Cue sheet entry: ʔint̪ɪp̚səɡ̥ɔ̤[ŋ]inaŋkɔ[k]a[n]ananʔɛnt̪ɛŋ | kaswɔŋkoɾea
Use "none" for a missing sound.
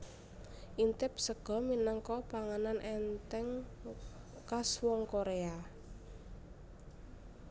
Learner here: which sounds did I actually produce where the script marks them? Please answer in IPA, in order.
m, p, ŋ

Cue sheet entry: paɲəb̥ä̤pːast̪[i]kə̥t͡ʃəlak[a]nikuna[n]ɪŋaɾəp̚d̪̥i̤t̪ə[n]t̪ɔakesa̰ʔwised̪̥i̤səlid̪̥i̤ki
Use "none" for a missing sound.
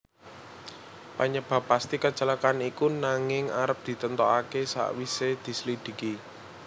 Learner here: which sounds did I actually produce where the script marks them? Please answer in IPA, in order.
i, a, ŋ, n

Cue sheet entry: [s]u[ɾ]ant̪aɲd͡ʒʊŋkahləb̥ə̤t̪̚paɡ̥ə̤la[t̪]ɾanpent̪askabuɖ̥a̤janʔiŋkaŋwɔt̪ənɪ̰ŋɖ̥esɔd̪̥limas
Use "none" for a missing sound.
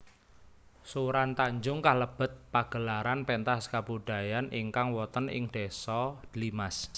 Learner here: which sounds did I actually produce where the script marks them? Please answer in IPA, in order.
s, ɾ, none

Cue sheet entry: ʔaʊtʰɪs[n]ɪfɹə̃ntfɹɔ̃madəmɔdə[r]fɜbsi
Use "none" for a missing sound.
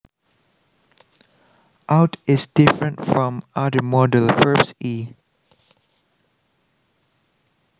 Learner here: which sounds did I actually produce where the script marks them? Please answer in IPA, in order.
d, l

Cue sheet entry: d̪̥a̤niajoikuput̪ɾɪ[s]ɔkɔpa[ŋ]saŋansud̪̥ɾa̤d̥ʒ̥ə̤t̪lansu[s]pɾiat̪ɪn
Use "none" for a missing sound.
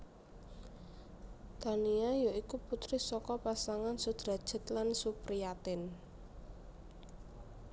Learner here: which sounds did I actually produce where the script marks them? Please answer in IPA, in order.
s, none, none

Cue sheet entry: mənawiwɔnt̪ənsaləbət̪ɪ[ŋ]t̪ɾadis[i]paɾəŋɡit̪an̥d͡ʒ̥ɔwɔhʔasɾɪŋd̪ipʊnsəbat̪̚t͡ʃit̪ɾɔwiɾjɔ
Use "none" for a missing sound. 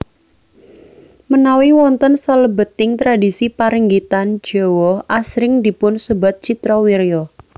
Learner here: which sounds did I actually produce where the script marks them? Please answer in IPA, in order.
ŋ, i

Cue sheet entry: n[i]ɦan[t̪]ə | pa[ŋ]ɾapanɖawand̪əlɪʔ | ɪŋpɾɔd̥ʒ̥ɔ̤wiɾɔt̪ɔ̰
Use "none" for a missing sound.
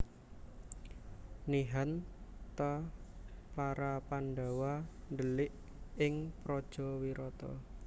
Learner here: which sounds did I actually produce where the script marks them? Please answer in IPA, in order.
i, t̪, none

